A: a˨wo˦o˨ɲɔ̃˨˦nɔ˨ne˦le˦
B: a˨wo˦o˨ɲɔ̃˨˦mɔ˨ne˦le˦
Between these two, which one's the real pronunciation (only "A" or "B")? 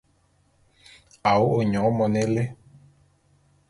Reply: B